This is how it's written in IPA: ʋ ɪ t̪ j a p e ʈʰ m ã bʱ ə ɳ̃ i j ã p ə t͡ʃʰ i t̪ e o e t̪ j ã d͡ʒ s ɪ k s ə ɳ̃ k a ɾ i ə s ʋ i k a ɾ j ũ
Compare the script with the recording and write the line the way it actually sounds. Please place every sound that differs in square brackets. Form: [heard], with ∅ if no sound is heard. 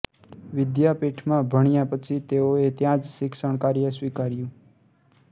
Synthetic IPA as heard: ʋ ɪ [d̪] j a p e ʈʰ m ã bʱ ə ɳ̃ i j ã p ə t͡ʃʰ i t̪ e o e t̪ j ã d͡ʒ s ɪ k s ə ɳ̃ k a ɾ [j] ə s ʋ i k a ɾ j ũ

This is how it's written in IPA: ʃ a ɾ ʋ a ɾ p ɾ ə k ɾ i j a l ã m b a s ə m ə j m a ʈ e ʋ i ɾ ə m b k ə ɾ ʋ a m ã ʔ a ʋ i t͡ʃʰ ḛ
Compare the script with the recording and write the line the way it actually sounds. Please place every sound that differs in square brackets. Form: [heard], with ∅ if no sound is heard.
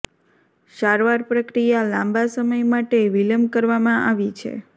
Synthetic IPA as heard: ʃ a ɾ ʋ a ɾ p ɾ ə k ɾ i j a l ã m b a s ə m ə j m a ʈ e ʋ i [l] ə m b k ə ɾ ʋ a m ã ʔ a ʋ i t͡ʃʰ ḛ

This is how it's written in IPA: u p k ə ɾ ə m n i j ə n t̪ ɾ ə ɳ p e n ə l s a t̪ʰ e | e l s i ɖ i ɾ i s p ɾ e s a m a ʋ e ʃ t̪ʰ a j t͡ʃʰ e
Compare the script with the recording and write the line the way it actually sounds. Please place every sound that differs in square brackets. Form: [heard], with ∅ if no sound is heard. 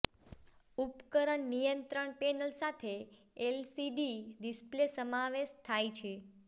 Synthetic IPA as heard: u p k ə ɾ ə [ɳ] n i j ə n t̪ ɾ ə ɳ p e n ə l s a t̪ʰ e | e l s i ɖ i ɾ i s p [l] e s [ə] m a ʋ e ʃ t̪ʰ a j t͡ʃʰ e

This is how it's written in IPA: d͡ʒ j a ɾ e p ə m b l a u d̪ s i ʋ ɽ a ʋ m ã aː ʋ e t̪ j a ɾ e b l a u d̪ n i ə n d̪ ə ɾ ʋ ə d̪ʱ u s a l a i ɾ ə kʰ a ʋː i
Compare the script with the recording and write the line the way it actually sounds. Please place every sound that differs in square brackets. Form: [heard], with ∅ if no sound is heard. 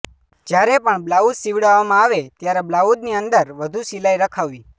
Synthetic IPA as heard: d͡ʒ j a ɾ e p ə [ɳ] b l a u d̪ s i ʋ ɽ a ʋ m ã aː ʋ e t̪ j a ɾ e b l a u d̪ n i ə n d̪ ə ɾ ʋ ə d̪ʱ u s [i] l a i ɾ ə kʰ a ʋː i

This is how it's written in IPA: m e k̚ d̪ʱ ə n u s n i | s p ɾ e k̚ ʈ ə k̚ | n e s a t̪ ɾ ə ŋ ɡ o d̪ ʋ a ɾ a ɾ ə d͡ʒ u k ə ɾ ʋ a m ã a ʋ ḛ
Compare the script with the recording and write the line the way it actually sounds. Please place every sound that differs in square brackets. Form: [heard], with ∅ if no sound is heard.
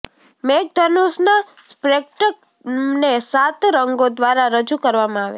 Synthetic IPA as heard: m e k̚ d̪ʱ ə n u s n [a] | s p ɾ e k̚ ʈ ə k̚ | n e s a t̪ ɾ ə ŋ ɡ o d̪ ʋ a ɾ a ɾ ə d͡ʒ u k ə ɾ ʋ a m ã a ʋ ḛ

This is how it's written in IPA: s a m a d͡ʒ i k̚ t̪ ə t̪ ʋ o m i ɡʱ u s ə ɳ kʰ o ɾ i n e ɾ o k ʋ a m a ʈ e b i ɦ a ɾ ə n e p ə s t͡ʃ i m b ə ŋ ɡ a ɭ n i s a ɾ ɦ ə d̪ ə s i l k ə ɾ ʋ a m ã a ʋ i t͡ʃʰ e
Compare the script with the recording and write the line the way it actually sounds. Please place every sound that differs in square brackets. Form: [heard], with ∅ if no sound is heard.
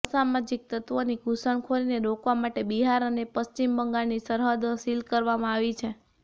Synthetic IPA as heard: s a m a d͡ʒ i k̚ t̪ ə t̪ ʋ o [n] i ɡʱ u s ə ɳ kʰ o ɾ i n e ɾ o k ʋ a m a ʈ e b i ɦ a ɾ ə n e p ə s t͡ʃ i m b ə ŋ ɡ a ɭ n i s [ə] ɾ ɦ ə d̪ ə s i l k ə ɾ ʋ a m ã a ʋ i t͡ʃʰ e

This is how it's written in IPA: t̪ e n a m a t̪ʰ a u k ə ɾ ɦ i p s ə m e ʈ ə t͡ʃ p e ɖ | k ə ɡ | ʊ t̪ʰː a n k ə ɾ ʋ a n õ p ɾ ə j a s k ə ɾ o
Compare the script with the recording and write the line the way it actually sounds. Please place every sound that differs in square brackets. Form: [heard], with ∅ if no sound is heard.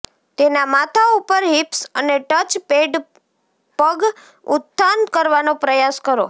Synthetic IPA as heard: t̪ e n a m a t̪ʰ a u [p] ə ɾ ɦ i p s ə [n] e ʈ ə t͡ʃ p e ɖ | [p] ə ɡ | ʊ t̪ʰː a n k ə ɾ ʋ a n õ p ɾ ə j a s k ə ɾ o

